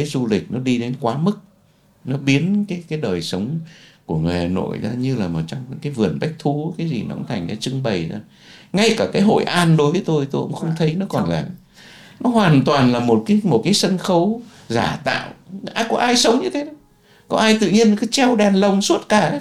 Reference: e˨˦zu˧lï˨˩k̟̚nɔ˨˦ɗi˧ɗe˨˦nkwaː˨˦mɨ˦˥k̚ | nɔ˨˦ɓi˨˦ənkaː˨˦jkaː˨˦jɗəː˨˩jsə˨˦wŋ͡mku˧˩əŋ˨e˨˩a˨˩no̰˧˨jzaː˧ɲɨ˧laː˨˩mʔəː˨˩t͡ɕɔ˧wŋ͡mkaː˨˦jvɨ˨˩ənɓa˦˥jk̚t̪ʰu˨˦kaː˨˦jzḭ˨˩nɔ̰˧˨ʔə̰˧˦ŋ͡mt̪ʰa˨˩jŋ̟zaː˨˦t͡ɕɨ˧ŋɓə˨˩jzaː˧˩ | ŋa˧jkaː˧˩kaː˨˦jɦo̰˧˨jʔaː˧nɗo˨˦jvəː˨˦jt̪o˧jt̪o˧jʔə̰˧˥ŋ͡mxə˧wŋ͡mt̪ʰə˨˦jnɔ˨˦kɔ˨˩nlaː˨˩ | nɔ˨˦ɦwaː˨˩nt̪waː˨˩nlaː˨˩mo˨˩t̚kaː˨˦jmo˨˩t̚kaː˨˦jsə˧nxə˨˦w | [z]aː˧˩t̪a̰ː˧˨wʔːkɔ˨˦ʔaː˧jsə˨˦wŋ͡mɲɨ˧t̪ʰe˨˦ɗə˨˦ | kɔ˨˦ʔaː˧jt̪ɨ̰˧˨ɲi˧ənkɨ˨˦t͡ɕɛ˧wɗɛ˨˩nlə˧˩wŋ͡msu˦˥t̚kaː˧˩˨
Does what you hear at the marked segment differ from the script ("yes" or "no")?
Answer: no